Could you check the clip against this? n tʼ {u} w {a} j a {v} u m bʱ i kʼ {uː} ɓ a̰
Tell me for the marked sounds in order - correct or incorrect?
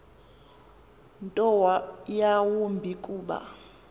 incorrect, correct, incorrect, correct

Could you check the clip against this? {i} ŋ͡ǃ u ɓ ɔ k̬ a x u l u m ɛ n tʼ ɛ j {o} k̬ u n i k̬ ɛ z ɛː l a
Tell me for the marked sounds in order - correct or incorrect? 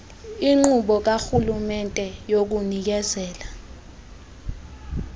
correct, correct

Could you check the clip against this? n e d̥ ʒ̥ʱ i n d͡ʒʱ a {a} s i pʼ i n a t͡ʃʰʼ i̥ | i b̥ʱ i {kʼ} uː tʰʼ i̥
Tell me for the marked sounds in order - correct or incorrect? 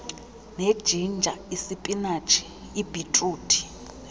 incorrect, incorrect

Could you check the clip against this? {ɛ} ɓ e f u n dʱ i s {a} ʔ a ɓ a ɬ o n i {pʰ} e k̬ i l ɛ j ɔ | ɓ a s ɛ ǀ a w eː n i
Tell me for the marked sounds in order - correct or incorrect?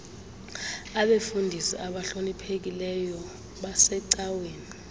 incorrect, incorrect, correct

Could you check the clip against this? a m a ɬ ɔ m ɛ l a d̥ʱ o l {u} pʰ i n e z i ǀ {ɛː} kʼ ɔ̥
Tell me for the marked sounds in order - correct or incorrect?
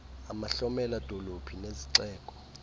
incorrect, correct

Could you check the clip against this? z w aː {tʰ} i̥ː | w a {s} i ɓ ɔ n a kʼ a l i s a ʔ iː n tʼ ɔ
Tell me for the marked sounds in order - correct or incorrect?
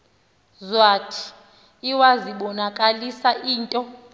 correct, incorrect

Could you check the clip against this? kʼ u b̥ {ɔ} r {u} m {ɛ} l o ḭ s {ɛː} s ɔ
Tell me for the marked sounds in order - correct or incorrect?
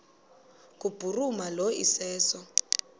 incorrect, correct, incorrect, correct

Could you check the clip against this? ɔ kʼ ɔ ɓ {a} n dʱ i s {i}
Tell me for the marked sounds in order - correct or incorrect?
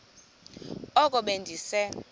incorrect, incorrect

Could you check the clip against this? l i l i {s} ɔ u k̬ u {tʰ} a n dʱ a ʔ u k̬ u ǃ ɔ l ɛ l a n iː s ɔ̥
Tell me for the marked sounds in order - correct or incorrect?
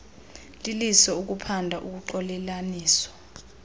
correct, incorrect

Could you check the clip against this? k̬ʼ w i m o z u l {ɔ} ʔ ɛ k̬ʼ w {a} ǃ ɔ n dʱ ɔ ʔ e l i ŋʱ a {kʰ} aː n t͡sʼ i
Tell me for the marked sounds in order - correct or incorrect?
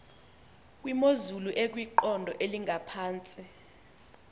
incorrect, incorrect, incorrect

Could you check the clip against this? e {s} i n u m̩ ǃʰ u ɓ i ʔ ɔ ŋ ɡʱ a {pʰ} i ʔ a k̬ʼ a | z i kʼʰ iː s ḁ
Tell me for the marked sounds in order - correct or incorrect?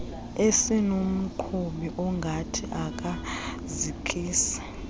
correct, incorrect

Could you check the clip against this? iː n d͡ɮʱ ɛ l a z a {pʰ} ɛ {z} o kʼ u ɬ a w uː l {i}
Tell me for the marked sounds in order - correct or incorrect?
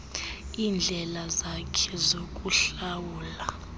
incorrect, correct, incorrect

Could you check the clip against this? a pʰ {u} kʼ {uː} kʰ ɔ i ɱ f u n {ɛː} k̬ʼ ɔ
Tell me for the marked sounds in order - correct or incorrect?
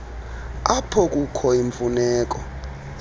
incorrect, incorrect, correct

